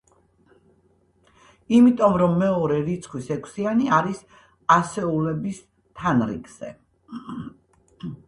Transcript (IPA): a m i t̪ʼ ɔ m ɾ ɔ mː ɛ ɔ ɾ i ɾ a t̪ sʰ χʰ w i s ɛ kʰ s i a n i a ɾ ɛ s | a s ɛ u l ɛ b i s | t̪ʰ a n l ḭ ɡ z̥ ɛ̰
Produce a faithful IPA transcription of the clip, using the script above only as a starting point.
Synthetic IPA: i m i t̪ʼ ɔ m ɾ ɔ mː ɛ ɔ ɾ ɛ ɾ i t̪ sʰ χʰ w i s ɛ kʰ s i a n i a ɾ i s | a s ɛ u l ɛ b i s | t̪ʰ a n ɾ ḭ ɡ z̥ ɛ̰